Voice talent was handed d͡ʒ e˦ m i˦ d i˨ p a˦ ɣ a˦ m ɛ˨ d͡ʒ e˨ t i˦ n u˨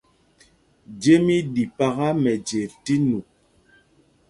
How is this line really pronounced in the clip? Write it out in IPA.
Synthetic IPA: d͡ʒ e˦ m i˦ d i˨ p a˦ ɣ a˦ m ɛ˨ d͡ʒ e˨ t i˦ n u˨